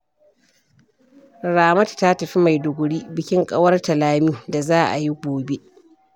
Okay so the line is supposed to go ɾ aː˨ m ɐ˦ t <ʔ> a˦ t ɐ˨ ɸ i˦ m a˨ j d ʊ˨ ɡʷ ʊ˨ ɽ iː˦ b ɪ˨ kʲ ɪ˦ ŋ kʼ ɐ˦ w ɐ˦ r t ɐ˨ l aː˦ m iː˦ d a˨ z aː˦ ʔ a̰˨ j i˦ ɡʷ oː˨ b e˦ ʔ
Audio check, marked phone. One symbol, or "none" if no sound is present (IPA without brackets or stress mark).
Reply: t